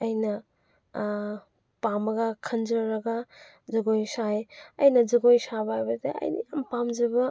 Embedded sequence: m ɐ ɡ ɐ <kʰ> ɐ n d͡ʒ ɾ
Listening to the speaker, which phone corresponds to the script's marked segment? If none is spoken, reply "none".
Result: kʰ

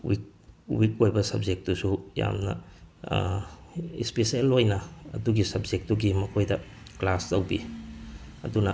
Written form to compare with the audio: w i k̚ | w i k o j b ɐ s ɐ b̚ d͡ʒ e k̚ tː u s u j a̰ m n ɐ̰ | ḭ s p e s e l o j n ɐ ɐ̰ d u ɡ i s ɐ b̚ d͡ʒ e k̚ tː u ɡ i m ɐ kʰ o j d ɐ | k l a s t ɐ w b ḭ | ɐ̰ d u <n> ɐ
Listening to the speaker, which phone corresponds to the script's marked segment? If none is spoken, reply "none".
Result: n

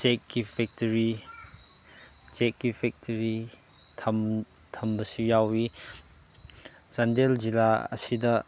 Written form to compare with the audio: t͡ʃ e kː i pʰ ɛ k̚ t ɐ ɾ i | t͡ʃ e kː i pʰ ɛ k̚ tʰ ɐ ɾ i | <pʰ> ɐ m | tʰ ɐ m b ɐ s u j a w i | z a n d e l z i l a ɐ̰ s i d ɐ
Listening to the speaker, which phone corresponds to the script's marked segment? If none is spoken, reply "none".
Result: tʰ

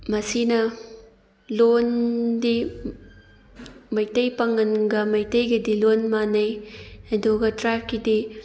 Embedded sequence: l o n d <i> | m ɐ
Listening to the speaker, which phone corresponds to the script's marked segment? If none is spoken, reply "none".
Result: i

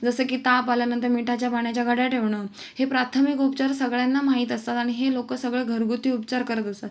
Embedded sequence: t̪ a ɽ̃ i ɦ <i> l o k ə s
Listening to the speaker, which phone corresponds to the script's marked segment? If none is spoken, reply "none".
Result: e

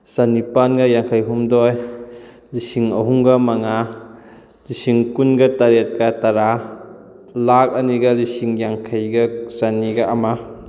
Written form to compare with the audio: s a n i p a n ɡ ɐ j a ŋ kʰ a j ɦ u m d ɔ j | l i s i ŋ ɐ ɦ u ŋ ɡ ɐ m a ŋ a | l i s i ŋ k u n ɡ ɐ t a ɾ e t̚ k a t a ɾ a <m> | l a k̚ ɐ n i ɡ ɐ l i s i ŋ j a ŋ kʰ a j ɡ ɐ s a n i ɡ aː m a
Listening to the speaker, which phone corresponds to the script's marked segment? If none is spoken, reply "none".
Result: none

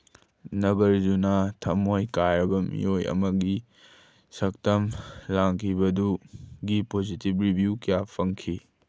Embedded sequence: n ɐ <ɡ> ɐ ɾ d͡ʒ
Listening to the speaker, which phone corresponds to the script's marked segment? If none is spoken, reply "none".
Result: ɡ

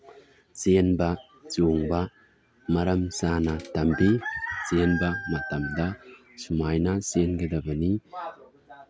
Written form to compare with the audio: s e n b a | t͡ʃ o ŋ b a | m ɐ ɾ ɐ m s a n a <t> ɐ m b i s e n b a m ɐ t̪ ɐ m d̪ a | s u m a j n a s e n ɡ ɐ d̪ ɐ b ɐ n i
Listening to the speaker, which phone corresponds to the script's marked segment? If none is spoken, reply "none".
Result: t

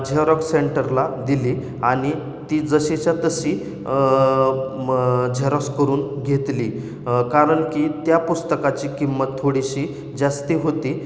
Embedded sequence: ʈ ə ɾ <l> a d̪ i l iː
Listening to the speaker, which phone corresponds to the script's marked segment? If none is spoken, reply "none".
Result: l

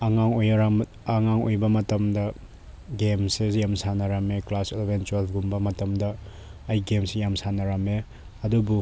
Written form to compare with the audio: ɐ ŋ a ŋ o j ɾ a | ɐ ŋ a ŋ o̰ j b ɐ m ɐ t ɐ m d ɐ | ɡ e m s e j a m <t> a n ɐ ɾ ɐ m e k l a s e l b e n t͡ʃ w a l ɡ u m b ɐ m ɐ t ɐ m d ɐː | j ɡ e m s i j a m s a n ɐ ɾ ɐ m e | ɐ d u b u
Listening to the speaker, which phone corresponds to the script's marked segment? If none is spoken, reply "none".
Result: s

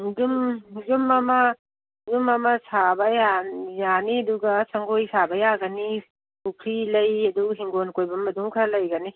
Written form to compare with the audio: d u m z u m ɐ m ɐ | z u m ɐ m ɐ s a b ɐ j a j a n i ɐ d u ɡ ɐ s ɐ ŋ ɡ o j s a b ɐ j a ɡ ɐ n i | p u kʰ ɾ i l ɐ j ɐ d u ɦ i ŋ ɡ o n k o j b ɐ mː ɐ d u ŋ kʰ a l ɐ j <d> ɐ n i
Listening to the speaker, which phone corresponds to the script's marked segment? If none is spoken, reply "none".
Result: ɡ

